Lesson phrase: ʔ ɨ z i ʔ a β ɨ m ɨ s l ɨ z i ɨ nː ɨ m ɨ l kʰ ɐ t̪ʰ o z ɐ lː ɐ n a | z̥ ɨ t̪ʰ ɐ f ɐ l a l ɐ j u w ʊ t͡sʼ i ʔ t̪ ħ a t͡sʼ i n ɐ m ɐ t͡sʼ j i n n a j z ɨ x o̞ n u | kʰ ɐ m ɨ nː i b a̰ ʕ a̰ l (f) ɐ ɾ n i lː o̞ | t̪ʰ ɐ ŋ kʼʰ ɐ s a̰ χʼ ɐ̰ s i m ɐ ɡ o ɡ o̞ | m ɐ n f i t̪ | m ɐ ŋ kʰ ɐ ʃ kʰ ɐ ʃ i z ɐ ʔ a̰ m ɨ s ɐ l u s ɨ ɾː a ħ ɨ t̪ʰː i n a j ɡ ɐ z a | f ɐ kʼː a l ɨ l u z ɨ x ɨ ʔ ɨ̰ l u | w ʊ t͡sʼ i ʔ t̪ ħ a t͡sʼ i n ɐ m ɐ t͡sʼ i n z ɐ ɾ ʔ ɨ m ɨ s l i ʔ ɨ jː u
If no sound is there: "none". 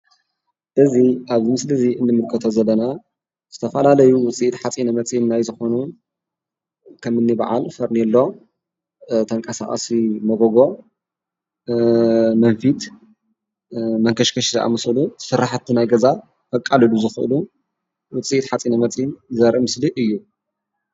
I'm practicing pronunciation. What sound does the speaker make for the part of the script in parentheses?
f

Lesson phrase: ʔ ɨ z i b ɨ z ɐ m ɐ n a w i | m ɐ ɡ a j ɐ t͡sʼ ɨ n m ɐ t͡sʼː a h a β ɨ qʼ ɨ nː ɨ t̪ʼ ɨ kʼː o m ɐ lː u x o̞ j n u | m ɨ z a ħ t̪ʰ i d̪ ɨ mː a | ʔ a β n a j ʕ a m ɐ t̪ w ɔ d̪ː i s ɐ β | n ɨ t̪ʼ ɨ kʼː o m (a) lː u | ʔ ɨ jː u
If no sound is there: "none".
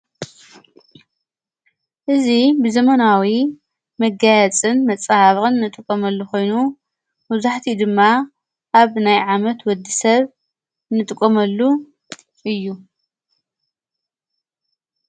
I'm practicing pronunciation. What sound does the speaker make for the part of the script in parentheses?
ɐ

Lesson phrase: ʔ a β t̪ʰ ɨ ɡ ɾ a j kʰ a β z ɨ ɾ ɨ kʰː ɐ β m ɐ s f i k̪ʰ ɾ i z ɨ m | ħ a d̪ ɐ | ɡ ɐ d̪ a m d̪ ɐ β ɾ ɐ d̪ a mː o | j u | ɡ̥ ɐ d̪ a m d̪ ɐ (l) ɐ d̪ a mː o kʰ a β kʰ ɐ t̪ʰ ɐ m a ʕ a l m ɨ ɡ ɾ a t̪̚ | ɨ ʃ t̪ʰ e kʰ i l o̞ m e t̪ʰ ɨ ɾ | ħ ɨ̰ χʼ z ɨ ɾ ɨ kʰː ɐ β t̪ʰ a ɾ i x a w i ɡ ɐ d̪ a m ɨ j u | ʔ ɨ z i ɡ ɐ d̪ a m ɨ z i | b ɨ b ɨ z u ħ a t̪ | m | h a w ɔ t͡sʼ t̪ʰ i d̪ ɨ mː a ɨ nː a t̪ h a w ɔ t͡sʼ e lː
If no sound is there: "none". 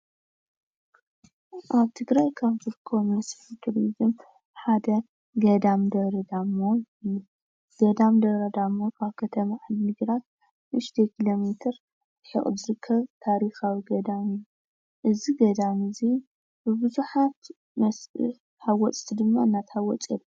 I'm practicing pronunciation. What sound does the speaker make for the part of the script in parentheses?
ɾ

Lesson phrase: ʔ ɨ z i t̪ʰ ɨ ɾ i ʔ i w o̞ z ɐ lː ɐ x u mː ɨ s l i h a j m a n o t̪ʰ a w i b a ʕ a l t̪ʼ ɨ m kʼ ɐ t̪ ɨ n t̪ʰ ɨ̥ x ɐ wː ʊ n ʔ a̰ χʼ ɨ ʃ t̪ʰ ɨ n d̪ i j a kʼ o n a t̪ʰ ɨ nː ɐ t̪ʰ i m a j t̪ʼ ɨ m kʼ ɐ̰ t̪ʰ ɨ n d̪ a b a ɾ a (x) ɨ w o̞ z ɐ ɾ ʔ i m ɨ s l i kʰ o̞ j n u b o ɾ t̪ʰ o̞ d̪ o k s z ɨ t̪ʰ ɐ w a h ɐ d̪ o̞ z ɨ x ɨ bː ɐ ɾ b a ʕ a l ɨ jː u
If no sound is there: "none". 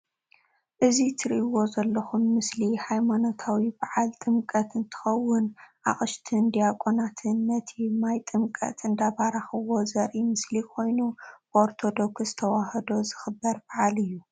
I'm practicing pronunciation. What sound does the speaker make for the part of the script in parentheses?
x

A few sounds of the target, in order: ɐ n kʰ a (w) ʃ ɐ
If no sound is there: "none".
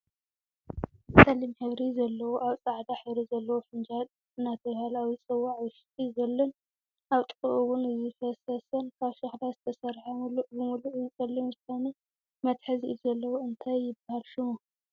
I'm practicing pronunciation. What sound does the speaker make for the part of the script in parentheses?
β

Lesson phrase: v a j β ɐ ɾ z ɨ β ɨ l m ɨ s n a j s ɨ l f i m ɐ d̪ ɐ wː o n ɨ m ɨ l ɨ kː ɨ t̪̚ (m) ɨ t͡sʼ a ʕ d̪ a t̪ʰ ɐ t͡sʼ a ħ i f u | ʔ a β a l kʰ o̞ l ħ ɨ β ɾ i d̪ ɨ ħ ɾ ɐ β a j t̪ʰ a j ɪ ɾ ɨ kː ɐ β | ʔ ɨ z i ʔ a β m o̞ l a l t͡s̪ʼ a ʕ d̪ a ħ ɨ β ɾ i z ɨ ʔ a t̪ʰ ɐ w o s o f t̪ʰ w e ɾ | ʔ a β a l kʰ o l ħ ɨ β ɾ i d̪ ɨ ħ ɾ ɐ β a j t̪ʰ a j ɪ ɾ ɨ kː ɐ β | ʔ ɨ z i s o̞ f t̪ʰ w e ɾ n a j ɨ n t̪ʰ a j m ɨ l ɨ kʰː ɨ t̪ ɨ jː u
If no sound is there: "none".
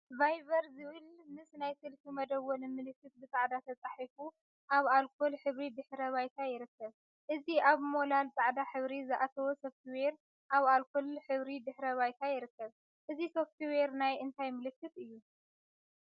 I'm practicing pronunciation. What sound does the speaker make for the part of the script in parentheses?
b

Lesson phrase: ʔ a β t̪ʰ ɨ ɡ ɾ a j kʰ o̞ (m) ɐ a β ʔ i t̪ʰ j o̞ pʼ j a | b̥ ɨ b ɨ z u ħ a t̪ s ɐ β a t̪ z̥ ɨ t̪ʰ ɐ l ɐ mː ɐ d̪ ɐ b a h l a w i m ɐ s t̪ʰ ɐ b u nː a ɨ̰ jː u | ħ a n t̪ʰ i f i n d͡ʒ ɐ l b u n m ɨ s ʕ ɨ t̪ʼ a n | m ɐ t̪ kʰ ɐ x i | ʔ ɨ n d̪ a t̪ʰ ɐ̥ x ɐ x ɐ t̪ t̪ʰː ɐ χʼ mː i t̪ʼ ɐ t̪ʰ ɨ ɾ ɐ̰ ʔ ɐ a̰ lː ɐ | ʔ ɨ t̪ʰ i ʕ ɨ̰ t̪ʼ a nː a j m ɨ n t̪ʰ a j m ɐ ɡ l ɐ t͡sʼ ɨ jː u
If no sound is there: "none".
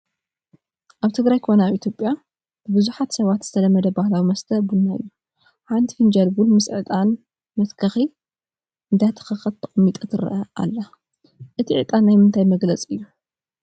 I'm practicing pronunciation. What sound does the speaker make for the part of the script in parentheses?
n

